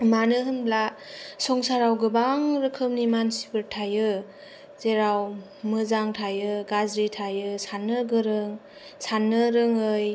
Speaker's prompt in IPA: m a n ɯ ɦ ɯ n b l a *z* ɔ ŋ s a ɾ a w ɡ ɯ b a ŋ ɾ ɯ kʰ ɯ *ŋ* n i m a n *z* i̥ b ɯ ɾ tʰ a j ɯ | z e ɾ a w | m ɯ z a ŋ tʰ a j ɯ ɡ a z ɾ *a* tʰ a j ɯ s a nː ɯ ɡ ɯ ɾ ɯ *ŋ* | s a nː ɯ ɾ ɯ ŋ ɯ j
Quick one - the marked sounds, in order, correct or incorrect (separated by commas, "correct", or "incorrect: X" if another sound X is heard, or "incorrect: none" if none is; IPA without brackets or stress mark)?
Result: incorrect: s, incorrect: m, incorrect: s, incorrect: i, correct